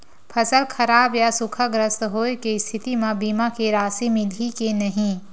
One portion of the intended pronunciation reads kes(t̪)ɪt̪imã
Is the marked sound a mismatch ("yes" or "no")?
yes